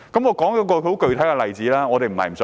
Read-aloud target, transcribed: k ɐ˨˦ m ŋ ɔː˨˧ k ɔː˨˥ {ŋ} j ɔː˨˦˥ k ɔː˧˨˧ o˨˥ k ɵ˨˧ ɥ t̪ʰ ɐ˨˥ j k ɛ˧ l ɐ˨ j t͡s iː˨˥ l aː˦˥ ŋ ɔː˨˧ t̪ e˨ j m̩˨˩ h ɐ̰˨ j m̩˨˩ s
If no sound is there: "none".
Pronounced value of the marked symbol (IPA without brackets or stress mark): ŋ